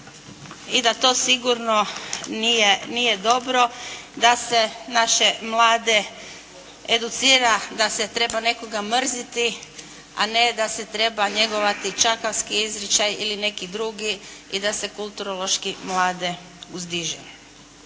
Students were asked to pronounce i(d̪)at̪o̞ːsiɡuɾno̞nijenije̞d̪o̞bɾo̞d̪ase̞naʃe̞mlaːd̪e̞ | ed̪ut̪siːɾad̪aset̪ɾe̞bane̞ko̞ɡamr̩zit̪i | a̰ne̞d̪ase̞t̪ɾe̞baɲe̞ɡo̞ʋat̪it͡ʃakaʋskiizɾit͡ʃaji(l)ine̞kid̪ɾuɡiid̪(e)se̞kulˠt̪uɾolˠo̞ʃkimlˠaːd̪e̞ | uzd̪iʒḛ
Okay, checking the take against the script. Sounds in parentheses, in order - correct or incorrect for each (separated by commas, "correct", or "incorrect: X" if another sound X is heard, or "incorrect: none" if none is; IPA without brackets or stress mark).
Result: correct, correct, incorrect: a